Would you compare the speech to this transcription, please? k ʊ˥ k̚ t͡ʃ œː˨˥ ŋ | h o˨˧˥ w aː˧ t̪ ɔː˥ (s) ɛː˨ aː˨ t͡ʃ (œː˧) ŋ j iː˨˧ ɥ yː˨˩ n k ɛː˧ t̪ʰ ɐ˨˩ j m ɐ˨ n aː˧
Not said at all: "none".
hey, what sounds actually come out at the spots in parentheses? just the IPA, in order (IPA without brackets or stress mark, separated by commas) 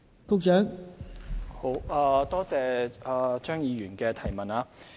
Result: t͡s, œː˥